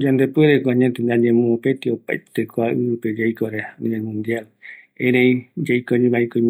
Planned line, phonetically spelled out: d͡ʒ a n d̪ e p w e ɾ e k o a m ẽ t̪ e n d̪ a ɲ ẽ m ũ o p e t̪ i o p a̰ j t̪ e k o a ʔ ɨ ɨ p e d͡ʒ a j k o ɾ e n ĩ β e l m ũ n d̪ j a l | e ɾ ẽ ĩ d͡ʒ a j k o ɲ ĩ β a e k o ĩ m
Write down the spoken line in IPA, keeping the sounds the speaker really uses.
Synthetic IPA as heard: d͡ʒ a n d̪ e p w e ɾ e k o a ɲ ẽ t̪ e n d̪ a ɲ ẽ m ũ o p e t̪ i o p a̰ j t̪ e k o a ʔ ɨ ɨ p e d͡ʒ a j k o ɾ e n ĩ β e l m ũ n d̪ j a l | e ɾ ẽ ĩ d͡ʒ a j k o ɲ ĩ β a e k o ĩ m